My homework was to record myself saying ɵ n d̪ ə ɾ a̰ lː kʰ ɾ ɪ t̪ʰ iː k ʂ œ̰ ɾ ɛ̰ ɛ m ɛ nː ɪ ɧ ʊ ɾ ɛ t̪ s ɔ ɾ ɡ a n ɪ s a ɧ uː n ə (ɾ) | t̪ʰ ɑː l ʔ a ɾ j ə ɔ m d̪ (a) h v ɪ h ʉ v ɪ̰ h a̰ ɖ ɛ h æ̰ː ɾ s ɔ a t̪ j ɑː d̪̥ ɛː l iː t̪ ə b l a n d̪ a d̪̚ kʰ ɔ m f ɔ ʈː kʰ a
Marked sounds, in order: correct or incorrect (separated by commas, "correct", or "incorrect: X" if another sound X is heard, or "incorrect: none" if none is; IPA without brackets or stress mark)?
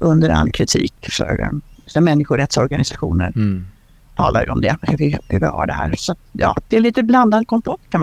correct, incorrect: ɛ